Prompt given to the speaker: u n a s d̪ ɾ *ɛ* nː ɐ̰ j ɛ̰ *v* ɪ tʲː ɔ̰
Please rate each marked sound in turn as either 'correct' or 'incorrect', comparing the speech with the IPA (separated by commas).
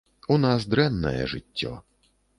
correct, incorrect